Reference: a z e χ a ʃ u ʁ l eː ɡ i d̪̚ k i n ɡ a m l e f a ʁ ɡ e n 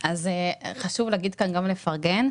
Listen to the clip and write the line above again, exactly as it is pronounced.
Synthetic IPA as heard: a z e χ a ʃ u v l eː ɡ i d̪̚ k a n ɡ a m l e f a ʁ ɡ e n